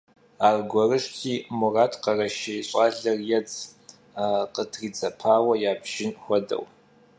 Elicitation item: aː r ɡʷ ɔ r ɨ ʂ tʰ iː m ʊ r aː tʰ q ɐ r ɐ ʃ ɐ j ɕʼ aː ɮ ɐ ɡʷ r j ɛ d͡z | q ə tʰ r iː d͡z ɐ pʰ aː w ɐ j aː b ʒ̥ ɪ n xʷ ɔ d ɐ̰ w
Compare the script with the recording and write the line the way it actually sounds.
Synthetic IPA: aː r ɡʷ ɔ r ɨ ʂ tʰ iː m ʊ r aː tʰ q ɐ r ɐ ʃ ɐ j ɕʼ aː ɮ ɐ r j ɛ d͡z | q ə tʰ r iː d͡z ɐ pʰ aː w ɐ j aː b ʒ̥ ɪ n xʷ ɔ d ɐ̰ w